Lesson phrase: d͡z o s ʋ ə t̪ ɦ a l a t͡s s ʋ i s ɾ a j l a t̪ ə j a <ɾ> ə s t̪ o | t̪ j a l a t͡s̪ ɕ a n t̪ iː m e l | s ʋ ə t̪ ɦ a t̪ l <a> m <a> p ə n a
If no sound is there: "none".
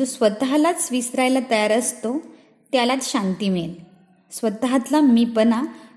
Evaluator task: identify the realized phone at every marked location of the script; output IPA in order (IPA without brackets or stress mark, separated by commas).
ɾ, a, i